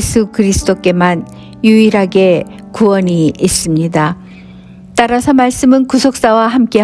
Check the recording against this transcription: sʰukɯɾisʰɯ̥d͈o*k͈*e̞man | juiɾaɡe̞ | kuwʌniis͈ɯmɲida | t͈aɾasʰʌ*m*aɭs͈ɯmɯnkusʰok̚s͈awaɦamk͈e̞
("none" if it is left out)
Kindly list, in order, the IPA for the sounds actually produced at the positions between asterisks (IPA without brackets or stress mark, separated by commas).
k͈, m